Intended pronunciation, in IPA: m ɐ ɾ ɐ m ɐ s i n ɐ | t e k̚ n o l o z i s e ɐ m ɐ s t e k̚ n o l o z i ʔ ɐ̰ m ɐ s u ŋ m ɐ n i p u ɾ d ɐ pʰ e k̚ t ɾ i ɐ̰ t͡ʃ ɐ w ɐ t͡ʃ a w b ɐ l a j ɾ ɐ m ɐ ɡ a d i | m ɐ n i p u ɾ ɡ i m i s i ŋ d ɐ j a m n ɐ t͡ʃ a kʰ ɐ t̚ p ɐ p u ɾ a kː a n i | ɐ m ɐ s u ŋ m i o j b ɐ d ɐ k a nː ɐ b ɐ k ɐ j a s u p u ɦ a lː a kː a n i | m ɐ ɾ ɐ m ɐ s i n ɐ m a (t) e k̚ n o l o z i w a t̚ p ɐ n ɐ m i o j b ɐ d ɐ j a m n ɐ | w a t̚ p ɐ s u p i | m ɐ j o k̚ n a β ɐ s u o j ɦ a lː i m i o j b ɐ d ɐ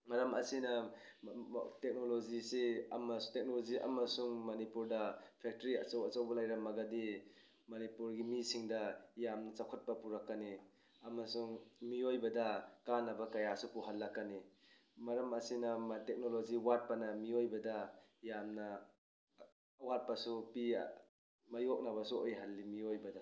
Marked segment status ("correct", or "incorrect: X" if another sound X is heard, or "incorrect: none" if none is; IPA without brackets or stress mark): correct